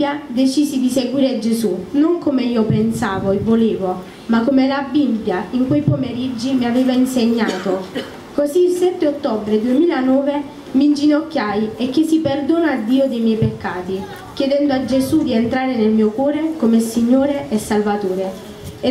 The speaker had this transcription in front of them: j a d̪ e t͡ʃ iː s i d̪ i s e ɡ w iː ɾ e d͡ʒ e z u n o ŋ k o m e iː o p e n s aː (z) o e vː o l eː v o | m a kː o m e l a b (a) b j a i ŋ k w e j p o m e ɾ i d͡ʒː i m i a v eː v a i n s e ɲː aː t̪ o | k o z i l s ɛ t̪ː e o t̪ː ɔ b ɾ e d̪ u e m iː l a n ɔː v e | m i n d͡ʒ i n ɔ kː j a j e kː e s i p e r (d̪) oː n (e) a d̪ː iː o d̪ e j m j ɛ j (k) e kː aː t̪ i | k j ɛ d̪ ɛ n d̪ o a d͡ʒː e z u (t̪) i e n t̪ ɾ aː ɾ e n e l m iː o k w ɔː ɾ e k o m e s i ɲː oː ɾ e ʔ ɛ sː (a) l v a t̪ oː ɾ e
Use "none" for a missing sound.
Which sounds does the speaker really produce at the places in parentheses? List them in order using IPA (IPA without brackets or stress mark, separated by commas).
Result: v, i, d̪, a, p, d̪, a